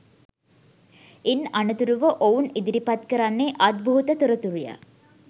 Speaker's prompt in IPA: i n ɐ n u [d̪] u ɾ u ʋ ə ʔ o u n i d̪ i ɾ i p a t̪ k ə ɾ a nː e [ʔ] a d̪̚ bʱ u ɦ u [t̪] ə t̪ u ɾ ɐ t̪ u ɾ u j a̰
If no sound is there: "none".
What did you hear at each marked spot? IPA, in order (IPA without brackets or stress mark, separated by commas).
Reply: t̪, ʔ, t̪